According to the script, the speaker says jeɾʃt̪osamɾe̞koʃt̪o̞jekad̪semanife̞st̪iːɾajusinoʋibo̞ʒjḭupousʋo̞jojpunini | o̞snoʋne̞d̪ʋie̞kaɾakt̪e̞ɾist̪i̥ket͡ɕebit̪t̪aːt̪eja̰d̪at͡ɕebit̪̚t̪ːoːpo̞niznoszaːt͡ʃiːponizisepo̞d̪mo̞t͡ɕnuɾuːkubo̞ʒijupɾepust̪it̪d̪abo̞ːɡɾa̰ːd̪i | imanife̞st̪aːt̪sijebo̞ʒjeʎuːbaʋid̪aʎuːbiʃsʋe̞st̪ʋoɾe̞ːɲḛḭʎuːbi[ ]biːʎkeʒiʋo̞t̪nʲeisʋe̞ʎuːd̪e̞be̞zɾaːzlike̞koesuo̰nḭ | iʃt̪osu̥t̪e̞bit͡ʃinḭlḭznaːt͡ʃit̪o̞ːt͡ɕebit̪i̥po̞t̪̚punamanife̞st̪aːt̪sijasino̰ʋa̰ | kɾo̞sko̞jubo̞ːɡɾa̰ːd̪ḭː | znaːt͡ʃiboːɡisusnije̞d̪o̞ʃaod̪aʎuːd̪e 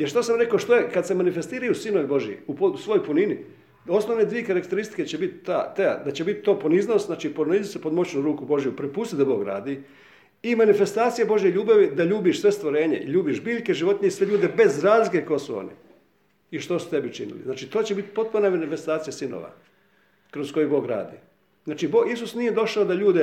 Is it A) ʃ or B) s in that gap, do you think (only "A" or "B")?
A